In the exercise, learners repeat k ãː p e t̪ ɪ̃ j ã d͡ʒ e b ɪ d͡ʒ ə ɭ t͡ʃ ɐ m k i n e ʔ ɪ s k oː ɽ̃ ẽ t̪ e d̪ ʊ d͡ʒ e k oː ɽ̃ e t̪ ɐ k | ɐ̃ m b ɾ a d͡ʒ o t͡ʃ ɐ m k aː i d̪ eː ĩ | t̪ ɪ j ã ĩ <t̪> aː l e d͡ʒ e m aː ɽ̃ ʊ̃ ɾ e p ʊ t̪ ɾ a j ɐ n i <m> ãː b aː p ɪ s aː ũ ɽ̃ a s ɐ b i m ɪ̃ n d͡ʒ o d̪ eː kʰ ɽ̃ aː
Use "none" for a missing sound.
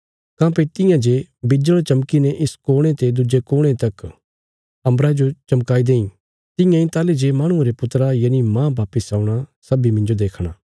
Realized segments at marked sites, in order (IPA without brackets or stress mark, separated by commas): t̪, m